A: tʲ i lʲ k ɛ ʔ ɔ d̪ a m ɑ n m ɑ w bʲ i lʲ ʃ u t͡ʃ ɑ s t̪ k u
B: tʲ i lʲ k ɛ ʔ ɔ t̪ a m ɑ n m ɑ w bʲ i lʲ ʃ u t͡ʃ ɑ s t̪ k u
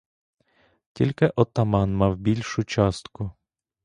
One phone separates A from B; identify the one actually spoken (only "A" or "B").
B